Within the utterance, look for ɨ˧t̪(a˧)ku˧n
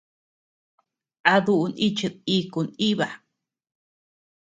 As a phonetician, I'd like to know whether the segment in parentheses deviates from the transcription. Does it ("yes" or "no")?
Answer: yes